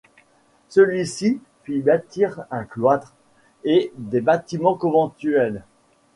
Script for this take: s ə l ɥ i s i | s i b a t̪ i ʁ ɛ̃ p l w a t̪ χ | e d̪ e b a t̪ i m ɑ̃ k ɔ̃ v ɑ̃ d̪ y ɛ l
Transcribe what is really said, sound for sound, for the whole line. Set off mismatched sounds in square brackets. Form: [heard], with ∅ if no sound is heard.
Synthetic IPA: s ə l ɥ i s i | [f] i b a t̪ i ʁ ɛ̃ [k] l w a t̪ χ | e d̪ e b a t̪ i m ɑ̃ k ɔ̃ v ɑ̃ [t̪] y ɛ l